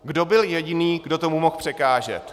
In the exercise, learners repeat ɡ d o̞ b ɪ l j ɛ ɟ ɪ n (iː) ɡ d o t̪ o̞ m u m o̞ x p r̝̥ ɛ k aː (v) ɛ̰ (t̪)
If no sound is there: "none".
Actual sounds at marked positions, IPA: iː, ʒ, t̪

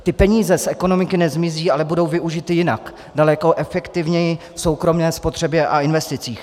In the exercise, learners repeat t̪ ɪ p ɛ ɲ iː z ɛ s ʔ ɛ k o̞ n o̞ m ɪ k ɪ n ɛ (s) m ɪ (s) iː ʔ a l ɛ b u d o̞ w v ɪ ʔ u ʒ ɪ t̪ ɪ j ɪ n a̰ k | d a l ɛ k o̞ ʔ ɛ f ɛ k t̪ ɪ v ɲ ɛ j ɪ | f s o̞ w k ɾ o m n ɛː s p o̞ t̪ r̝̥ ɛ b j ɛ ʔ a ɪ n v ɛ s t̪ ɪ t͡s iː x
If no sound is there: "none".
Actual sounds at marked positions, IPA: z, z

